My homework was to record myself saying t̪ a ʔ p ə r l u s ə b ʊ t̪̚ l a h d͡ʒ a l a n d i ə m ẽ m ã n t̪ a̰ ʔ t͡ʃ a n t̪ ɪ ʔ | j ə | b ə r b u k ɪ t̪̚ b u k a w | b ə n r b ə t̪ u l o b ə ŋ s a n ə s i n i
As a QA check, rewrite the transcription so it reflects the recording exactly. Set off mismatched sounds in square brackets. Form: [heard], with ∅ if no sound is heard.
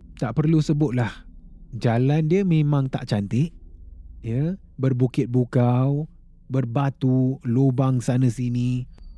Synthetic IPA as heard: t̪ a ʔ p ə r l u s ə b ʊ t̪̚ l a h d͡ʒ a l a n d i ə m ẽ m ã [ŋ] t̪ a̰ ʔ t͡ʃ a n t̪ ɪ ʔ | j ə | b ə r b u k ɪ t̪̚ b u k a w | b ə [∅] r b [a] t̪ u l o b [a] ŋ s a n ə s i n i